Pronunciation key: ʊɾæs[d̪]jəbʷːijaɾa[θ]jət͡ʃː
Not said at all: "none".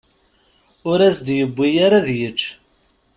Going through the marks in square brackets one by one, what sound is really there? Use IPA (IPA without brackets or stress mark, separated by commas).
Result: d̪, ð